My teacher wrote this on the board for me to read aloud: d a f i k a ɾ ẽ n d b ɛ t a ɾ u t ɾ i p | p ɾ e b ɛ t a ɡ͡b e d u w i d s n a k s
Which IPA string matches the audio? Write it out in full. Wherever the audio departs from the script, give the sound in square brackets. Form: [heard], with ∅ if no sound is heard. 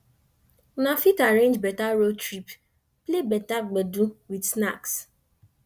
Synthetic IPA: [n] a f i [t] a ɾ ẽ n [d͡ʒ] b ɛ t a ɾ [o] t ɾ i p | p [l] e b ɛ t a ɡ͡b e d u w i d s n a k s